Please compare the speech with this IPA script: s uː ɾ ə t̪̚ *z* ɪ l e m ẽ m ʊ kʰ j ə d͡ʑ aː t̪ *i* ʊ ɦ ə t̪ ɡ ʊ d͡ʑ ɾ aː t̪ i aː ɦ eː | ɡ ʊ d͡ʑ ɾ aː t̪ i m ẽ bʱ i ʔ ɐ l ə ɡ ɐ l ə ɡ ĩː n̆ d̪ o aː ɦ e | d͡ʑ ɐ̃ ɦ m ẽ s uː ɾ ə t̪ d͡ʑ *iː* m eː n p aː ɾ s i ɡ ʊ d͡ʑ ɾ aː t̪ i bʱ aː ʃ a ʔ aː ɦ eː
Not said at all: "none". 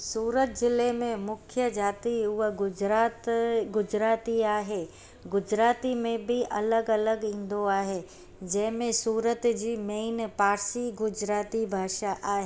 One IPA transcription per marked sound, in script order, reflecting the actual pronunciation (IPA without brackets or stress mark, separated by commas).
z, i, iː